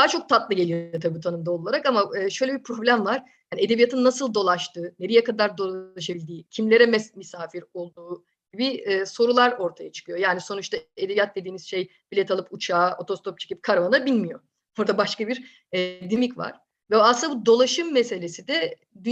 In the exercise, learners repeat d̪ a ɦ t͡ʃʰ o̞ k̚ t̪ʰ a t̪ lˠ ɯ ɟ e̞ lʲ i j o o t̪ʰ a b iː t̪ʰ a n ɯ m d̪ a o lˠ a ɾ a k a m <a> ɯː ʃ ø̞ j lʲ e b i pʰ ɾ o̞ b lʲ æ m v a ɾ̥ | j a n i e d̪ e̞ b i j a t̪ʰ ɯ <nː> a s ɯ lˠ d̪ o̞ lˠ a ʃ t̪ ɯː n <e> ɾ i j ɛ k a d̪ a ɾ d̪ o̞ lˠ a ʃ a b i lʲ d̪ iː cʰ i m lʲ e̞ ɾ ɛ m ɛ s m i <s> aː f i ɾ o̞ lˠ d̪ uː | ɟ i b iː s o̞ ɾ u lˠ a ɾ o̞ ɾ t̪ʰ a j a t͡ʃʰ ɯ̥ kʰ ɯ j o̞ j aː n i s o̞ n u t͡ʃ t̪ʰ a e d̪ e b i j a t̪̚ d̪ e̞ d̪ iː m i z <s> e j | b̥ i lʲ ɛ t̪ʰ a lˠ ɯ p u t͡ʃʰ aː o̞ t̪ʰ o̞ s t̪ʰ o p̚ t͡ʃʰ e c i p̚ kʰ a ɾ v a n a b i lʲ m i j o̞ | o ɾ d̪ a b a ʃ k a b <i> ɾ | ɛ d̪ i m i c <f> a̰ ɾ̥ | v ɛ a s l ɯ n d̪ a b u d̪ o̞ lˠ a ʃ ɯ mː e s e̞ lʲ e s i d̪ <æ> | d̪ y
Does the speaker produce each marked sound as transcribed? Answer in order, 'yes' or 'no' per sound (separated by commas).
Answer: yes, yes, yes, yes, no, yes, no, no